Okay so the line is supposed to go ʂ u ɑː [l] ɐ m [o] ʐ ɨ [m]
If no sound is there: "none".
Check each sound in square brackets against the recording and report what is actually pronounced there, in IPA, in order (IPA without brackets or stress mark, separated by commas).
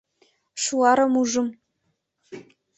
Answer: ɾ, u, m